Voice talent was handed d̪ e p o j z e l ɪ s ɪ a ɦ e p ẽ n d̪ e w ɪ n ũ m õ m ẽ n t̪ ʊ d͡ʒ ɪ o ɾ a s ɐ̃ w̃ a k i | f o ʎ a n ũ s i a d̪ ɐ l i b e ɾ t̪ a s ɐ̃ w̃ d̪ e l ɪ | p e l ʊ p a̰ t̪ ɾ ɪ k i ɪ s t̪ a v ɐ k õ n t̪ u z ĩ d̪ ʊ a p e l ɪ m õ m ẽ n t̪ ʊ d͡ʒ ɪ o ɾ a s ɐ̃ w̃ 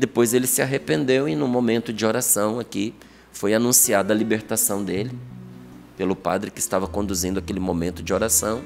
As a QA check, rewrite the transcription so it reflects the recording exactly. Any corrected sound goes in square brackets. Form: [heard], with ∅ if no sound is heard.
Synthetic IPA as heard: d̪ e p o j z e l ɪ s ɪ a ɦ e p ẽ n d̪ e w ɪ n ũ m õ m ẽ n t̪ ʊ d͡ʒ ɪ o ɾ a s ɐ̃ w̃ a k i | f o [j] a n ũ s i a d̪ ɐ l i b e ɾ t̪ a s ɐ̃ w̃ d̪ e l ɪ | p e l ʊ p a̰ [d̪] ɾ ɪ k [ɪ] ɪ s t̪ a v ɐ k õ n [d̪] u z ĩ d̪ ʊ a [k] e l ɪ m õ m ẽ n t̪ ʊ d͡ʒ ɪ o ɾ a s ɐ̃ w̃

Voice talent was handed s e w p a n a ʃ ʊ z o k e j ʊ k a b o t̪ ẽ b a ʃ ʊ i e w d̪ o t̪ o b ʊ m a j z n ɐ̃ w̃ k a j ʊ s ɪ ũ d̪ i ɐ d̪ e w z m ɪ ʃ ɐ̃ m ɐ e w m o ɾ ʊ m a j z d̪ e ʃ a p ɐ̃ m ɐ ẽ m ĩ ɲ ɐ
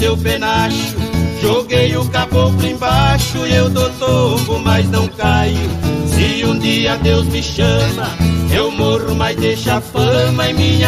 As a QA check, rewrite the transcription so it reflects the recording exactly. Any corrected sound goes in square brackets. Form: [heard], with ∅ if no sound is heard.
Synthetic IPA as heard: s e w p [e] n a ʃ ʊ [ʒ] o [ɡ] e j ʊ k a b o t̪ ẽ b a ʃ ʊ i e w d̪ o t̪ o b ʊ m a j z n ɐ̃ w̃ k a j ʊ s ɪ ũ d̪ i ɐ d̪ e w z m ɪ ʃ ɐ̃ m ɐ e w m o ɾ ʊ m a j z d̪ e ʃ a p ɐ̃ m ɐ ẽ m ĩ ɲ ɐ

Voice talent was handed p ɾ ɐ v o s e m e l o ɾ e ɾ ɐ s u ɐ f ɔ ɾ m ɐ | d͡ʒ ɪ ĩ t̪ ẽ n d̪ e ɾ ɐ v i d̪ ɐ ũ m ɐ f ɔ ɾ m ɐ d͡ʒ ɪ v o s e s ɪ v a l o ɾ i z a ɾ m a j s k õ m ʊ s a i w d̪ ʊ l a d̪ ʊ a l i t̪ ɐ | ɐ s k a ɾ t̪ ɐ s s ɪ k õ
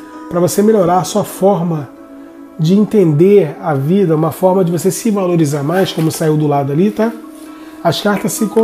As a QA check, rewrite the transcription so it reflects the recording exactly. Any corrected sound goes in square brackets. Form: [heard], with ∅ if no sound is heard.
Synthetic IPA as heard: p ɾ ɐ v o s e m e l o ɾ [a] ɾ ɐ s u ɐ f ɔ ɾ m ɐ | d͡ʒ ɪ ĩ t̪ ẽ n d̪ e ɾ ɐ v i d̪ ɐ ũ m ɐ f ɔ ɾ m ɐ d͡ʒ ɪ v o s e s ɪ v a l o ɾ i z a ɾ m a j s k õ m ʊ s a i w d̪ ʊ l a d̪ ʊ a l i t̪ [a] | ɐ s k a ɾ t̪ ɐ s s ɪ k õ

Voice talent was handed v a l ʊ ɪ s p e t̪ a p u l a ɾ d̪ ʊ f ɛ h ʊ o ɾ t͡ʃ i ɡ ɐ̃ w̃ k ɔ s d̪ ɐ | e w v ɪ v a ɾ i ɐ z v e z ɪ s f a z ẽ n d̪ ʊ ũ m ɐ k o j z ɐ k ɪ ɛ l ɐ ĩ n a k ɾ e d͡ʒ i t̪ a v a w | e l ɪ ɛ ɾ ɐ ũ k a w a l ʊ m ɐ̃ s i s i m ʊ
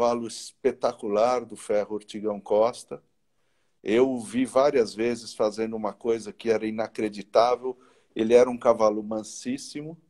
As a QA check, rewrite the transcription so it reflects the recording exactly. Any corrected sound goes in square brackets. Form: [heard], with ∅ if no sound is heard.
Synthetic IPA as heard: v a l ʊ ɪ s p e t̪ a [k] u l a ɾ d̪ ʊ f ɛ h ʊ o ɾ t͡ʃ i ɡ ɐ̃ w̃ k ɔ s [t̪] ɐ | e w v [i] v a ɾ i ɐ z v e z ɪ s f a z ẽ n d̪ ʊ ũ m ɐ k o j z ɐ k ɪ ɛ [ɾ] ɐ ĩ n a k ɾ e d͡ʒ i t̪ a v [e] w | e l ɪ ɛ ɾ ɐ ũ k a [v] a l ʊ m ɐ̃ s i s i m ʊ

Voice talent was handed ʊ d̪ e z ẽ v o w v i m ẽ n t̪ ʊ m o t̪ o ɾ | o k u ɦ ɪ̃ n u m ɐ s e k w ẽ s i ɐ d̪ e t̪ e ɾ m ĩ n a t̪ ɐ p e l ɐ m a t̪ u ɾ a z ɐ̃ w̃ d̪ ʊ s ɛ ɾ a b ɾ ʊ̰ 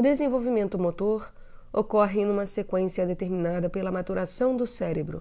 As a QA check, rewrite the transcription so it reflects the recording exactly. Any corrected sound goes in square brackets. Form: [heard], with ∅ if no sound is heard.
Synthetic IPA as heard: ʊ d̪ e z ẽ v o w v i m ẽ n t̪ ʊ m o t̪ o ɾ | o k [ɔ] ɦ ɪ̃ n [ũ] m ɐ s e k w ẽ s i ɐ d̪ e t̪ e ɾ m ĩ n a [d̪] ɐ p e l ɐ m a t̪ u ɾ a [s] ɐ̃ w̃ d̪ ʊ s ɛ ɾ [e] b ɾ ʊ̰

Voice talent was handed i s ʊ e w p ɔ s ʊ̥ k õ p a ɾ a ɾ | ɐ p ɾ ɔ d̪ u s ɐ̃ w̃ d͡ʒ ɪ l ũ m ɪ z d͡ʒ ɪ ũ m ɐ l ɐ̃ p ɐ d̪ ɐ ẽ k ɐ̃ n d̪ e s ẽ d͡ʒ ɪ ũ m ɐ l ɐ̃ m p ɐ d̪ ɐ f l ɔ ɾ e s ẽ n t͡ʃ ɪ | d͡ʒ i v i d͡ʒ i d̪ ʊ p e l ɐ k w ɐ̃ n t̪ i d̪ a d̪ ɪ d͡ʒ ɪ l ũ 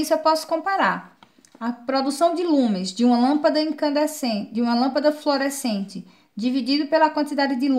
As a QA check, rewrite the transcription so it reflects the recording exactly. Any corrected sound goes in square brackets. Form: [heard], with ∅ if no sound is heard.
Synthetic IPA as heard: i s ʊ e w p ɔ s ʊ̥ k õ p a ɾ a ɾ | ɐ p ɾ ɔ d̪ u s ɐ̃ w̃ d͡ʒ ɪ l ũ m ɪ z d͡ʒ ɪ ũ m ɐ l ɐ̃ p ɐ d̪ ɐ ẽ k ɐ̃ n d̪ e s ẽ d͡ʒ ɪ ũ m ɐ l ɐ̃ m p ɐ d̪ ɐ f l [o] ɾ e s ẽ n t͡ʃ ɪ | d͡ʒ i v i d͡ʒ i d̪ ʊ p e l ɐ k w ɐ̃ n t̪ i d̪ a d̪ ɪ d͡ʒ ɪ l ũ

